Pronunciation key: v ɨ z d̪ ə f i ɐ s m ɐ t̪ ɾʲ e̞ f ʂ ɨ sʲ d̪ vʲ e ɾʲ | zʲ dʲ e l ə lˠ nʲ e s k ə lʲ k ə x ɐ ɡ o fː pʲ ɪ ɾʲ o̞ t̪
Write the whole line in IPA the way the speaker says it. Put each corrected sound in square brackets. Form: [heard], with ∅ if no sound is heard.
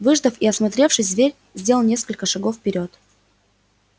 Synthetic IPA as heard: v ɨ [ʐ] d̪ ə f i ɐ s m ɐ t̪ ɾʲ e̞ f ʂ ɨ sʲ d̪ vʲ e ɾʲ | zʲ dʲ e l ə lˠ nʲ e s k ə lʲ k ə [ʂ] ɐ ɡ o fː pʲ ɪ ɾʲ o̞ t̪